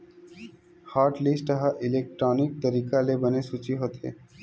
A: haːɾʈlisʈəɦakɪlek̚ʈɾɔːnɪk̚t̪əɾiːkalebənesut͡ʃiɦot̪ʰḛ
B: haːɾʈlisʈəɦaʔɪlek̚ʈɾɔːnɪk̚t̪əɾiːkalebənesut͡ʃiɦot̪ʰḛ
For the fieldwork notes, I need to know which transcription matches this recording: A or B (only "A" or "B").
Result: B